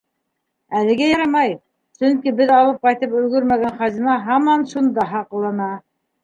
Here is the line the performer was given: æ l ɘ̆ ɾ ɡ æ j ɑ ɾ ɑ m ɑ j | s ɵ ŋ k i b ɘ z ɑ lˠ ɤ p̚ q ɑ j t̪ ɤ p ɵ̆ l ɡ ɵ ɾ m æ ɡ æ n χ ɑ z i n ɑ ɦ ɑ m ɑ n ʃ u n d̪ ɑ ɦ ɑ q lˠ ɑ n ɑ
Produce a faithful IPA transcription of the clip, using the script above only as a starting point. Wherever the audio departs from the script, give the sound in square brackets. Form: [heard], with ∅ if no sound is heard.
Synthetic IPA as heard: æ l ɘ̆ [∅] ɡ æ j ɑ ɾ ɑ m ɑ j | s ɵ ŋ k i b ɘ [ð] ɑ lˠ ɤ p̚ q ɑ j t̪ ɤ p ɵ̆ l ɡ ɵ ɾ m æ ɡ æ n χ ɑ z i n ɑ ɦ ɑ m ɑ n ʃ u n d̪ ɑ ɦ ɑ q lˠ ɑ n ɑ